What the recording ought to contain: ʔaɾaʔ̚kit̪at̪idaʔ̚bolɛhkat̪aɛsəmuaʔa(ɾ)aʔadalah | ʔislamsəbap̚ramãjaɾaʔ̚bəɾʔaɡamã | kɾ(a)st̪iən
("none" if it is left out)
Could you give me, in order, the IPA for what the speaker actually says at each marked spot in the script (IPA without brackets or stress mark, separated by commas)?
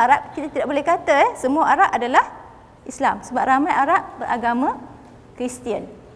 ɾ, i